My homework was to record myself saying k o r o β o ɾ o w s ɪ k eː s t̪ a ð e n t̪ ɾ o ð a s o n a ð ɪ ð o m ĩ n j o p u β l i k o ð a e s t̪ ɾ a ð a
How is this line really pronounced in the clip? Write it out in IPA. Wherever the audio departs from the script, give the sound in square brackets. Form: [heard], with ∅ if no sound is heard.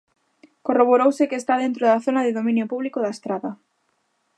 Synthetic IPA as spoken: k o r o β o ɾ o w s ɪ k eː s t̪ a ð e n t̪ ɾ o ð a [θ] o n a ð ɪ ð o m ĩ n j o p u β l i k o ð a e s t̪ ɾ a ð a